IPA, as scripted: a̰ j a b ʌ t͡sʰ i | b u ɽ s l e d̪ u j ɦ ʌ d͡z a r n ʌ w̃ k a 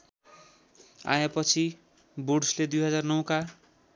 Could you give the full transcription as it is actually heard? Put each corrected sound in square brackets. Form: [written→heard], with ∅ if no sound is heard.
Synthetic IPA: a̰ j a [b→p] ʌ t͡sʰ i | b u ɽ s l e d̪ u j ɦ ʌ d͡z a r n ʌ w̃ k a

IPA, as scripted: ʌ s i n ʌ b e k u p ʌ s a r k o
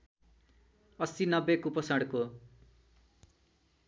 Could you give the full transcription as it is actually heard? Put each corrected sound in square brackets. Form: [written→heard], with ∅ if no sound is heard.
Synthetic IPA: ʌ s i n ʌ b e k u p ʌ s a [r→ɽ] k o

